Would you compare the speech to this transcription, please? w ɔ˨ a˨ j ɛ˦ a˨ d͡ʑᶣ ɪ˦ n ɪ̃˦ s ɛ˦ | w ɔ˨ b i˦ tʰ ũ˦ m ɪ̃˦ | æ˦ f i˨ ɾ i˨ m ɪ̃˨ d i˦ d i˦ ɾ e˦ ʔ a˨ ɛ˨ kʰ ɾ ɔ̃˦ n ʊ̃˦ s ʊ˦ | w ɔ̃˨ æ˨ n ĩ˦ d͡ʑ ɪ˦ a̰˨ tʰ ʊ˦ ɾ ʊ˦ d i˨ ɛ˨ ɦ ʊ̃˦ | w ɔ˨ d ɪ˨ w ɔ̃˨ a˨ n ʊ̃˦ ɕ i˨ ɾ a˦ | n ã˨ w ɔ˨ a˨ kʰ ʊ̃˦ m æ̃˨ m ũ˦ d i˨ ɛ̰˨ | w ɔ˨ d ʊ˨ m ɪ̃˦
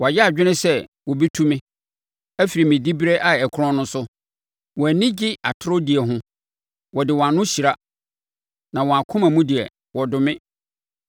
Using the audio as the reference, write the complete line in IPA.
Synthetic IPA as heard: w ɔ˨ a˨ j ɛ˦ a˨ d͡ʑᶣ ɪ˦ n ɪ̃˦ s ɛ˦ | w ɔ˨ b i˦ tʰ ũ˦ m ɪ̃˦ | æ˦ f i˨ ɾ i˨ m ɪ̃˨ d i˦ b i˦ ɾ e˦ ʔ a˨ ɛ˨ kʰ ɾ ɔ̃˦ n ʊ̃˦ s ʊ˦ | w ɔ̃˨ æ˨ n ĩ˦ d͡ʑ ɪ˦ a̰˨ tʰ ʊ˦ ɾ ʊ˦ d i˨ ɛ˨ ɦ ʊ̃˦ | w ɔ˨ d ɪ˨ w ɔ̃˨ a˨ n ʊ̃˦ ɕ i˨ ɾ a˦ | n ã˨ w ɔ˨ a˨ kʰ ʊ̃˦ m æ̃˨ m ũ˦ d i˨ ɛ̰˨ | w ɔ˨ d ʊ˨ m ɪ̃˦